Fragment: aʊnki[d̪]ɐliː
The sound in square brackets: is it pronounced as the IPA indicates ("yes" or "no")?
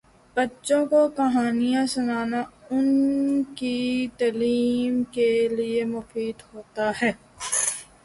no